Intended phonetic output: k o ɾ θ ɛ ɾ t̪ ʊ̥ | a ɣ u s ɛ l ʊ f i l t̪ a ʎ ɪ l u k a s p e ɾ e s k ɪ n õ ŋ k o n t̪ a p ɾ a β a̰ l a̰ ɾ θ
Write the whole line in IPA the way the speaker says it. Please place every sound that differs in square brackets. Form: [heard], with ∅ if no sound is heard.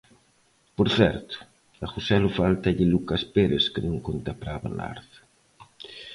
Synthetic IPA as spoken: [p] o ɾ θ ɛ ɾ t̪ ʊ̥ | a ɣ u s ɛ l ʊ f [a] l t̪ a ʎ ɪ l u k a s p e ɾ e s k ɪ n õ ŋ k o n t̪ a p ɾ a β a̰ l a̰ ɾ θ